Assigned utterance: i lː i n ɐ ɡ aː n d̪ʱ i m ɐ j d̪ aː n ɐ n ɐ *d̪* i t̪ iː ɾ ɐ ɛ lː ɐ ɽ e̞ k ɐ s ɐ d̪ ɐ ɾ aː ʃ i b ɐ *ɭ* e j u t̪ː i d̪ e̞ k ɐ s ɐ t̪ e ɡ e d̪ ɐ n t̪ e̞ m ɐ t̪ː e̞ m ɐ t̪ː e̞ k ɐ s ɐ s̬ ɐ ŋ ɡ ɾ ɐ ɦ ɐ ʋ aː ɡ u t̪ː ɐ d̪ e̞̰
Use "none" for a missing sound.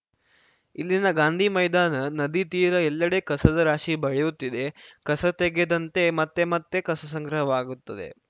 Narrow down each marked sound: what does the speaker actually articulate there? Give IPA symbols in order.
d̪, ɭ

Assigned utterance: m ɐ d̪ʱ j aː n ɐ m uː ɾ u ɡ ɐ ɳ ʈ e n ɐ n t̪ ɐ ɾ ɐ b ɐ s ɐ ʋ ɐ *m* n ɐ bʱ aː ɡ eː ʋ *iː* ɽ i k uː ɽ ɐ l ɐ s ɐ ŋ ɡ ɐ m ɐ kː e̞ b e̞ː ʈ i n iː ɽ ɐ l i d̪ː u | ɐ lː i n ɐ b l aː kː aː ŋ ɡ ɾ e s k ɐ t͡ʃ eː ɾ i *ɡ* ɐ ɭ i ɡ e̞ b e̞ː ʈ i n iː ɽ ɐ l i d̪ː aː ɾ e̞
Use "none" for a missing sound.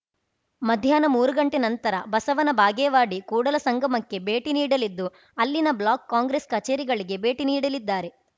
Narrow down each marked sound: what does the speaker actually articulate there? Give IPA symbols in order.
none, aː, ɡ

